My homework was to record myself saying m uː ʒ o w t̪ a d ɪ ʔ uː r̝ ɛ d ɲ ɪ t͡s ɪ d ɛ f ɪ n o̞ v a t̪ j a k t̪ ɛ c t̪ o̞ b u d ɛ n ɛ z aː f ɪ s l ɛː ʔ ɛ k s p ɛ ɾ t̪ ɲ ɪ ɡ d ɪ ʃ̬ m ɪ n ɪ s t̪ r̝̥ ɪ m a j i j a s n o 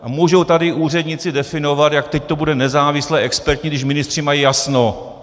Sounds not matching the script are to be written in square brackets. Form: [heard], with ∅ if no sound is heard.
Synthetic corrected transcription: m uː ʒ o w t̪ a d ɪ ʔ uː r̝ ɛ d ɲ ɪ t͡s ɪ d ɛ f ɪ n o̞ v a t̪ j a k t̪ ɛ c t̪ o̞ b u d ɛ n ɛ z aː [v] ɪ s l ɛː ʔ ɛ k s p ɛ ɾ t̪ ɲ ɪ ɡ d ɪ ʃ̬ m ɪ n ɪ s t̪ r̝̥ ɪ m a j i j a s n o